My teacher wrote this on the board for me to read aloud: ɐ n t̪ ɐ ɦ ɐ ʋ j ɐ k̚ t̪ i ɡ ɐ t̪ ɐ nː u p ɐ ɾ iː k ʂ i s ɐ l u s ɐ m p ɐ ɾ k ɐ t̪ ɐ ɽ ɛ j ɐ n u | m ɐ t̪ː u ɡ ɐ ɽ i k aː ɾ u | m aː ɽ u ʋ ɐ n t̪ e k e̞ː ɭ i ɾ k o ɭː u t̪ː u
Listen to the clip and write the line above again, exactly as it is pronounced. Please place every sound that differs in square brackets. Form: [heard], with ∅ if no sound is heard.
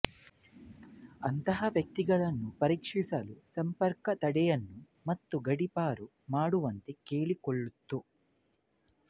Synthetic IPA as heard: ɐ n t̪ ɐ ɦ ɐ ʋ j ɐ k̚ t̪ i ɡ ɐ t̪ ɐ nː u p ɐ ɾ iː k ʂ i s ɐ l u s ɐ m p ɐ ɾ k ɐ t̪ ɐ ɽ ɛ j ɐ [nː] u | m ɐ t̪ː u ɡ ɐ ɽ i [p] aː ɾ u | m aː ɽ u ʋ ɐ n t̪ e k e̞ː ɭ i [∅] k o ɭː u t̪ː u